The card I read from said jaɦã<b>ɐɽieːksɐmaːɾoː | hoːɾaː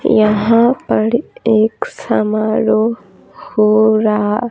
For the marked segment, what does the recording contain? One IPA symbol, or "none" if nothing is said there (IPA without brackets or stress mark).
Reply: p